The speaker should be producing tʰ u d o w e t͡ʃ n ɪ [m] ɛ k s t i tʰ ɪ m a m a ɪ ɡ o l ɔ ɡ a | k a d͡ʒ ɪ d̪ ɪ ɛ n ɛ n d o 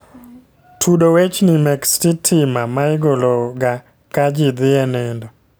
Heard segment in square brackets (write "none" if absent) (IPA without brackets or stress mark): m